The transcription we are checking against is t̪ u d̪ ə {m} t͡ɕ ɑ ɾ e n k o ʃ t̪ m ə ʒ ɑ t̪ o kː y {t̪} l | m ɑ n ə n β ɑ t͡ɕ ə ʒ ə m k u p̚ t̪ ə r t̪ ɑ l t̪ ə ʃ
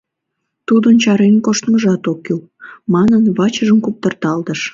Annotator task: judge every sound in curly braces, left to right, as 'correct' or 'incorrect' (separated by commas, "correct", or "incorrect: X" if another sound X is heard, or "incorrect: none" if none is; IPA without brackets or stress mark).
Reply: incorrect: n, incorrect: none